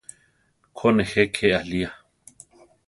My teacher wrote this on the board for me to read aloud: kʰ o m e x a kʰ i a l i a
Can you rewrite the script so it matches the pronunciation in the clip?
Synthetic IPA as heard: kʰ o n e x e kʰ e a l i a